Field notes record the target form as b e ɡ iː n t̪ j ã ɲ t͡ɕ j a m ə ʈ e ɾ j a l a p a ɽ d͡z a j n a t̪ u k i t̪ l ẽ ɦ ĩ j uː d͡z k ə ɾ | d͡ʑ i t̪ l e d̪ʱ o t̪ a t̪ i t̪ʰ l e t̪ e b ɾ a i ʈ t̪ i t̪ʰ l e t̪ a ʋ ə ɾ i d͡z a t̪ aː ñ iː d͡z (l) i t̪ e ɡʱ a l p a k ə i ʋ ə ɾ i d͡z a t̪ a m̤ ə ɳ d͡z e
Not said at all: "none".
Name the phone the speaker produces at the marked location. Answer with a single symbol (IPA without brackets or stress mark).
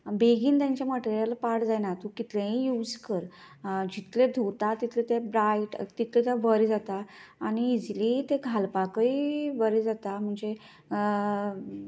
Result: l